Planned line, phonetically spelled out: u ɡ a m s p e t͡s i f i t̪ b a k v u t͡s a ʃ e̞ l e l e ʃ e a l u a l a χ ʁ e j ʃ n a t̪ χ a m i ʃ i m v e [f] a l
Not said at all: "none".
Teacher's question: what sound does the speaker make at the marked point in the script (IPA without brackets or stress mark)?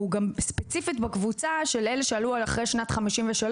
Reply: ʃ